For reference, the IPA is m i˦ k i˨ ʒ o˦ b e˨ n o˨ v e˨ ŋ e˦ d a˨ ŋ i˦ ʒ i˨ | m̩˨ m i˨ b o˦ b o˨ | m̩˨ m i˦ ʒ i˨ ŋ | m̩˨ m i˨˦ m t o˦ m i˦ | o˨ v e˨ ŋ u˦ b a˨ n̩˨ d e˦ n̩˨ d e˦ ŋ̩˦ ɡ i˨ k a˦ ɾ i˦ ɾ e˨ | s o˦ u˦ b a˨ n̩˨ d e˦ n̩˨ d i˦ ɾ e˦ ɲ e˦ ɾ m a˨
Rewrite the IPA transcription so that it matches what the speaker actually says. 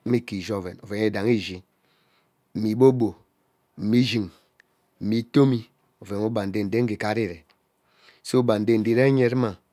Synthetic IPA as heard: m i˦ k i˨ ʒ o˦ v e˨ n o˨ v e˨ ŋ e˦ d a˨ ŋ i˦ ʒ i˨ | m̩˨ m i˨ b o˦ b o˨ | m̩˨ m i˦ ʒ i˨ ŋ | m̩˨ m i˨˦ t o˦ m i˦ | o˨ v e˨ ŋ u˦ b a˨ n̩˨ d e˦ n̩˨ d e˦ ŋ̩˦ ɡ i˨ k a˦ ɾ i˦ ɾ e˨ | s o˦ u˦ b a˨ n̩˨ d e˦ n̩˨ d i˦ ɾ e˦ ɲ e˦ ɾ m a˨

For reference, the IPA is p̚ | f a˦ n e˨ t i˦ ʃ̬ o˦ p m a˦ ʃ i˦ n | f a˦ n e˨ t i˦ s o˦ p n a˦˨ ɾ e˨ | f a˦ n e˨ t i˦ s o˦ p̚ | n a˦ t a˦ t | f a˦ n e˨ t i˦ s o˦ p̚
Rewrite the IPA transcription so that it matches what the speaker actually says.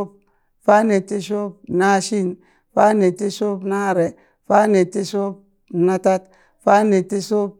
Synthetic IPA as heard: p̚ | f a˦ n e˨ t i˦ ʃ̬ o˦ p n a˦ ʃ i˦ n | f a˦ n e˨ t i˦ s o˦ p n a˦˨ ɾ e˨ | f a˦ n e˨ t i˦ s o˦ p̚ | n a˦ t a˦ t | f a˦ n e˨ t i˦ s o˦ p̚

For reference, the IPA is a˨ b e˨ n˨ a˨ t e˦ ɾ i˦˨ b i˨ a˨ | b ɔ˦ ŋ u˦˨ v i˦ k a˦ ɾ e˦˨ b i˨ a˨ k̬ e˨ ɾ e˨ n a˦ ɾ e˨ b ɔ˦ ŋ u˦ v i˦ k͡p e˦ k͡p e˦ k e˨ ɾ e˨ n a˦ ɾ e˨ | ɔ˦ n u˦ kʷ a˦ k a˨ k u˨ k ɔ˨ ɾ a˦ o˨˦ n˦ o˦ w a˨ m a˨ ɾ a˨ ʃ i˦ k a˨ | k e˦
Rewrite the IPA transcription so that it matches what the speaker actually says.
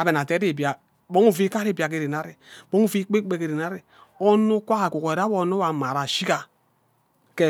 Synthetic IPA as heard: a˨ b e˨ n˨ a˨ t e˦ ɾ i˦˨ b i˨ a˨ | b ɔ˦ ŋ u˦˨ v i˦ k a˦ ɾ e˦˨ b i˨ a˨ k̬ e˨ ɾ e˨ n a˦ ɾ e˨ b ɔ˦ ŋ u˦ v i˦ k͡p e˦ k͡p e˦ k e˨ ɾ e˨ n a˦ ɾ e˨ | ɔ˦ n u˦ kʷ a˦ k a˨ k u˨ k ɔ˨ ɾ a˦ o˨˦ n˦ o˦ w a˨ m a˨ ɾ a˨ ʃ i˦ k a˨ | k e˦

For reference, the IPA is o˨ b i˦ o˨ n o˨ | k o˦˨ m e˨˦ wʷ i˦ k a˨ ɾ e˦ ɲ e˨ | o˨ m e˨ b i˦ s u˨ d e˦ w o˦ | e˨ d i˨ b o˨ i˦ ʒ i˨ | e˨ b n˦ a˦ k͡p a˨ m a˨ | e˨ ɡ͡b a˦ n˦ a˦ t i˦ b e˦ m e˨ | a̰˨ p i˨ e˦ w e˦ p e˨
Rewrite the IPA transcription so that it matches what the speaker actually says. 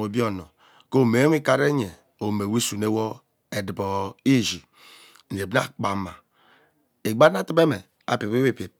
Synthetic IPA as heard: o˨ b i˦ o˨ n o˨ | k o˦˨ m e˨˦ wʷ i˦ k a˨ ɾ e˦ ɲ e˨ | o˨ m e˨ w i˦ s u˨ n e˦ w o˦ | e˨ d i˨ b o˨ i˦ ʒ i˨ | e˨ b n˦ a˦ k͡p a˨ m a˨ | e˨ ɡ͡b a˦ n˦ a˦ t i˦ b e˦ m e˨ | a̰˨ p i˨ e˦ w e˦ p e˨

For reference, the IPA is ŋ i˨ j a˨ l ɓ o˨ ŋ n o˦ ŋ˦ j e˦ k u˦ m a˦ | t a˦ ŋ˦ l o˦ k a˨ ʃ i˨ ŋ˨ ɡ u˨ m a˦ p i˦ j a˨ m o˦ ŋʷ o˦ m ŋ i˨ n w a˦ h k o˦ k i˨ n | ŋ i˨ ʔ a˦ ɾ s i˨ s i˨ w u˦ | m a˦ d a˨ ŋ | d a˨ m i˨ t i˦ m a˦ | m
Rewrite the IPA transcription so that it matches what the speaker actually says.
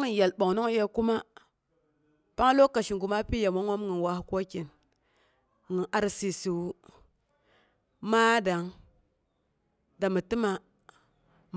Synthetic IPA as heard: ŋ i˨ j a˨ l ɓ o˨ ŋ n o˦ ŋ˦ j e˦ k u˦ m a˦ | p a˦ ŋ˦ l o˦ k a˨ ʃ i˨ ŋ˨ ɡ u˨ m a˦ p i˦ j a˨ m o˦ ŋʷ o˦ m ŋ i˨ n w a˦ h k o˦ k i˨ n | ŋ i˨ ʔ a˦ ɾ s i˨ s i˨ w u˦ | m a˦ d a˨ ŋ | d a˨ m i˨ t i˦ m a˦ | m

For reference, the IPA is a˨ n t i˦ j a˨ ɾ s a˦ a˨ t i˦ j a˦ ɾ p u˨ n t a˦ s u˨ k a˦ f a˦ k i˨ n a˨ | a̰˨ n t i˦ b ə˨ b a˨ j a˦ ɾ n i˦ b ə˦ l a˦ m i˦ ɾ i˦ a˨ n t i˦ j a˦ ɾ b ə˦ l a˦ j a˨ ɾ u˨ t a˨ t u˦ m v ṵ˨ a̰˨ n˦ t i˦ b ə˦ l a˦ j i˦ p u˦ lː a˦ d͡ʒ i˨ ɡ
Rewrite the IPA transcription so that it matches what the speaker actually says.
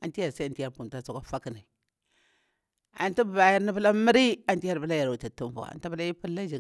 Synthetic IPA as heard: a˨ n t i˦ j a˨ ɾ s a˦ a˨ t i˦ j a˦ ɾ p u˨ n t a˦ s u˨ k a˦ f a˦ k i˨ n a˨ | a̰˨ n t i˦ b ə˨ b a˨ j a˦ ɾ n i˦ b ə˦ l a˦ m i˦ ɾ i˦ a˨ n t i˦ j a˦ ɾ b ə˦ l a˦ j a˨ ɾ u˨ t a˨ t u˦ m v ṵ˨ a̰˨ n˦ t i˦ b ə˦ l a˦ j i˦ p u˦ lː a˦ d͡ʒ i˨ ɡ

